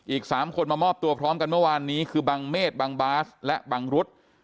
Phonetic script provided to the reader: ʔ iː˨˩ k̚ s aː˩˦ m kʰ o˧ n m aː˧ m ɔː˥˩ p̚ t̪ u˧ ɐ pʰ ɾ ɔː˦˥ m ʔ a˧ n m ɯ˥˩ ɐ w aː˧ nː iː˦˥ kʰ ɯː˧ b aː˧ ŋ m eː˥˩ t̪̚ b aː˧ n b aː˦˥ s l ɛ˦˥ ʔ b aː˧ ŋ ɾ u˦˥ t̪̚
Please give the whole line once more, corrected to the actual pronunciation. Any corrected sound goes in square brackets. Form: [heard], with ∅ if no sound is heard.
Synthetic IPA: ʔ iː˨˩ k̚ s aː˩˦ m kʰ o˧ n m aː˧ m ɔː˥˩ p̚ t̪ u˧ ɐ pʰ ɾ ɔː˦˥ m [k] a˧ n m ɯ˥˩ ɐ w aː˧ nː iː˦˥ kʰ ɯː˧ b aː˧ ŋ m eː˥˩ t̪̚ b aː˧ [ŋ] b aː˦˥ s l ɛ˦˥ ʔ b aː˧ ŋ ɾ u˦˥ t̪̚